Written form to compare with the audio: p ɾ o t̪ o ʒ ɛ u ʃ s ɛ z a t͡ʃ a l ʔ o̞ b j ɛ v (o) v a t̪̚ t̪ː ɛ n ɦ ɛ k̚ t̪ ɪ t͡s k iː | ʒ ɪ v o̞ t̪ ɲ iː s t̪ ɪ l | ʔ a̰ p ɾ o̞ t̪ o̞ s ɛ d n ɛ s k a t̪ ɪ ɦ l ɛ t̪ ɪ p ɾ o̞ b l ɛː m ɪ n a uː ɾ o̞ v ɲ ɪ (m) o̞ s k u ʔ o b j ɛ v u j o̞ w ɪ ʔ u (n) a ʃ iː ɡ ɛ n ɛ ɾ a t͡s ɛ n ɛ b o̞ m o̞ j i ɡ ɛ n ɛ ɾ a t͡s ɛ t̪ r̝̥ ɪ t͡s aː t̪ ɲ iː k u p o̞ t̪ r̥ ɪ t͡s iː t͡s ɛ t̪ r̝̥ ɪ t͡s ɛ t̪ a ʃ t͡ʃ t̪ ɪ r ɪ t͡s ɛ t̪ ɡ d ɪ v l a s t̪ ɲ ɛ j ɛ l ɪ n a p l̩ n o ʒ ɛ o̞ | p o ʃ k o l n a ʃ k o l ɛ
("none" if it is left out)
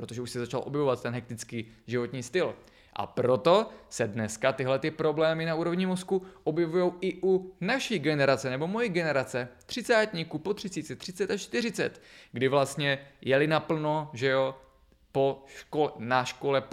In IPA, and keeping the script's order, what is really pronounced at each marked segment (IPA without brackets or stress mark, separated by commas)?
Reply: o, m, n